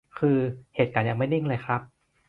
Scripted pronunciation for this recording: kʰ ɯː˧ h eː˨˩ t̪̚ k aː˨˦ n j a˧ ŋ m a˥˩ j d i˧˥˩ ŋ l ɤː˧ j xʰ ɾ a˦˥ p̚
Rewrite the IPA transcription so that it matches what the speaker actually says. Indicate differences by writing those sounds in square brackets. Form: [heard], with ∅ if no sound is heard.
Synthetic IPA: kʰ ɯː˧ h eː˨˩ t̪̚ k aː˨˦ n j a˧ ŋ m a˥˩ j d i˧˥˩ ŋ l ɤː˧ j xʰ ɾ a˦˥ p̚